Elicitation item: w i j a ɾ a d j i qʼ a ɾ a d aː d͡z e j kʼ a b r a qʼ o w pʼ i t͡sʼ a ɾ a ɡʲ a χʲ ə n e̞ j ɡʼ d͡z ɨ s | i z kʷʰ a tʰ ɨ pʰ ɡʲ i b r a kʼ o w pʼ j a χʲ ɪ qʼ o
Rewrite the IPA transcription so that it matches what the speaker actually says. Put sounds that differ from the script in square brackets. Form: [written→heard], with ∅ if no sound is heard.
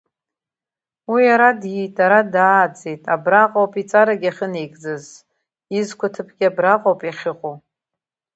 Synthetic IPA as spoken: w i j a ɾ a d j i [qʼ→tʼ] a ɾ a d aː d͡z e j [kʼ→tʼ] a b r a qʼ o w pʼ i t͡sʼ a ɾ a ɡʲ a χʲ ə n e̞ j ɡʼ d͡z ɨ [s→z] | i z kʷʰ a tʰ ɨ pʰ ɡʲ [i→a] b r a [kʼ→qʼ] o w pʼ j a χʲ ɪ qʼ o

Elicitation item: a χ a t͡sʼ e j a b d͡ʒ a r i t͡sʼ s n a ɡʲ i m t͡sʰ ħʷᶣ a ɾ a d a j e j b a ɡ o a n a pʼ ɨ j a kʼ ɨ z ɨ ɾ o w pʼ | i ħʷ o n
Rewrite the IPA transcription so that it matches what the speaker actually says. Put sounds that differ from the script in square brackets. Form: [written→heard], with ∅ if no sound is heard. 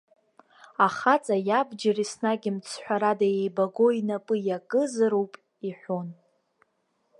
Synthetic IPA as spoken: a χ a t͡sʼ [e→a] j a b d͡ʒ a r i [t͡sʼ→∅] s n a ɡʲ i m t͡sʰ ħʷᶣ a ɾ a d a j e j b a ɡ o [a→i] n a pʼ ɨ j a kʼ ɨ z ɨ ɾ o w pʼ | i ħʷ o n

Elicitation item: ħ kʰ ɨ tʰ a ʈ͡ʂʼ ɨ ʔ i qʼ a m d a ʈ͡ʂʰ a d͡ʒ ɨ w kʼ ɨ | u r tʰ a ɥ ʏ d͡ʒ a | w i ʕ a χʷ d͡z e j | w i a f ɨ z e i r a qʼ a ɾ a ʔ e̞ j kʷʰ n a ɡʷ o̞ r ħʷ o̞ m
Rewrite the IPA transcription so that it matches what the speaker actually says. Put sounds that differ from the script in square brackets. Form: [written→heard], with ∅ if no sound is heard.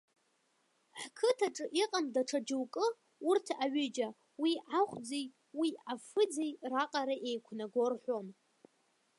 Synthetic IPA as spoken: ħ kʰ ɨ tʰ a ʈ͡ʂʼ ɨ ʔ i qʼ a m d a ʈ͡ʂʰ a d͡ʒ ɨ w kʼ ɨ | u r tʰ a ɥ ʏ d͡ʒ a | w i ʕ a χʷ d͡z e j | w i a f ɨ [z→d͡z] e [i→j] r a qʼ a ɾ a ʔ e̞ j kʷʰ n a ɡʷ o̞ r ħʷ o̞ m

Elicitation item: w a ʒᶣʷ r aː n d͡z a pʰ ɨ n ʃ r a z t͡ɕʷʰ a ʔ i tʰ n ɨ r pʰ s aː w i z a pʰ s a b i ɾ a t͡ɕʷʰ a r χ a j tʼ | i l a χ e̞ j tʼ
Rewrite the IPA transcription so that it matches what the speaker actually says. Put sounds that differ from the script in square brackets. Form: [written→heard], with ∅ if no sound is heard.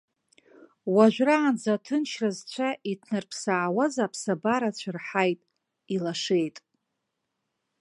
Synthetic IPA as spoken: w a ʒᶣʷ r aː n d͡z a [pʰ→tʰ] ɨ n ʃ r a z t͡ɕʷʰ a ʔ i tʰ n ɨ r pʰ s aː w [i→a] z a pʰ s a b [i→a] ɾ a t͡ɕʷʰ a r [χ→ħ] a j tʼ | i l a [χ→ʂ] e̞ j tʼ

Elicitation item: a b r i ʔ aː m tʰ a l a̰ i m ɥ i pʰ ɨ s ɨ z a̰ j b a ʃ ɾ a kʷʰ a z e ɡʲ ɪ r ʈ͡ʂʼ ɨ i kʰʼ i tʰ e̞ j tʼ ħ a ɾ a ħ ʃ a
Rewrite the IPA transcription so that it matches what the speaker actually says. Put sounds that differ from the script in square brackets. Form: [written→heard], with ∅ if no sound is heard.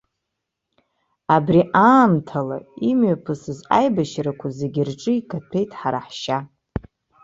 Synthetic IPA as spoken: a b r i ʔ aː m tʰ a l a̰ i m ɥ [i→a] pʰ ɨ s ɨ z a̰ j b a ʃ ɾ a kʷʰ a z e ɡʲ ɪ r ʈ͡ʂʼ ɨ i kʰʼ [i→a] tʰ e̞ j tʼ ħ a ɾ a ħ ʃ a

